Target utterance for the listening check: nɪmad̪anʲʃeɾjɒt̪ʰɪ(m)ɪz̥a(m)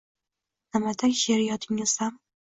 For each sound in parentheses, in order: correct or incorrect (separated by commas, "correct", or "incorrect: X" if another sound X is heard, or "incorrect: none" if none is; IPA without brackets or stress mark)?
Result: incorrect: ŋ, correct